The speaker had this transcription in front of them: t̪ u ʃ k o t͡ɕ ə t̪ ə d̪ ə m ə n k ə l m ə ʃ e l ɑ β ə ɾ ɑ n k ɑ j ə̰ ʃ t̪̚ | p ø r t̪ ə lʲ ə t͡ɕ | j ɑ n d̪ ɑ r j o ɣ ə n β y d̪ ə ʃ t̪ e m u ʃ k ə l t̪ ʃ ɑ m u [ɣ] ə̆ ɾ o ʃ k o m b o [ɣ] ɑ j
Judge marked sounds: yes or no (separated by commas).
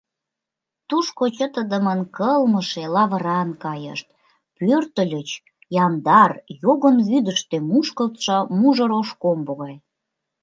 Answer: no, yes